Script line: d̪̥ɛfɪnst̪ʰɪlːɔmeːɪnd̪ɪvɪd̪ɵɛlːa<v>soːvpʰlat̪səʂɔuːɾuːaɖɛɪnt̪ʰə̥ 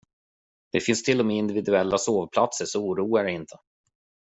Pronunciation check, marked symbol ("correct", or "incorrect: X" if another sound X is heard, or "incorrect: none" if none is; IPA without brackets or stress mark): incorrect: none